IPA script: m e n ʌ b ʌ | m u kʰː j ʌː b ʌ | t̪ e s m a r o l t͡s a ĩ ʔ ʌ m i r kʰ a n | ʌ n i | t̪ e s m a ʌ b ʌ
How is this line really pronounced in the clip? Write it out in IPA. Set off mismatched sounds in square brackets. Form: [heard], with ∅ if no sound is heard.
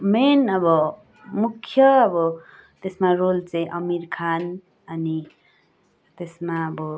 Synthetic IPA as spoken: m e n ʌ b ʌ | m u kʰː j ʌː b ʌ | t̪ e s m a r o l t͡s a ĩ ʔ ʌ m i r kʰ a n | ʌ n i | t̪ e s m a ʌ b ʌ